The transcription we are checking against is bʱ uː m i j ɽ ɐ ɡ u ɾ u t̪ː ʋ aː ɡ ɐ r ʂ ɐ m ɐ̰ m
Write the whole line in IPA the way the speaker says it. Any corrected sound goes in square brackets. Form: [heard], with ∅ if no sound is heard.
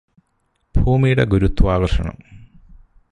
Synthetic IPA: bʱ uː m i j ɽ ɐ ɡ u ɾ u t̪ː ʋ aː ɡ ɐ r ʂ ɐ [ɳ] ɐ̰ m